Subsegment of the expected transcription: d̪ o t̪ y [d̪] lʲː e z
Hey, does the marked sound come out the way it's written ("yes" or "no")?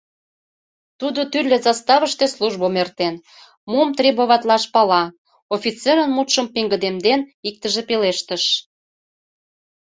no